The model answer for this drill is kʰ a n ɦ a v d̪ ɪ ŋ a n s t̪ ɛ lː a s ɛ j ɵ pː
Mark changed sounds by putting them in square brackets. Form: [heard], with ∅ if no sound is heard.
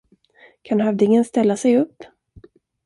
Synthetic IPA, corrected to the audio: kʰ a n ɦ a v d̪ ɪ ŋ [ə] n s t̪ ɛ lː a s ɛ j ɵ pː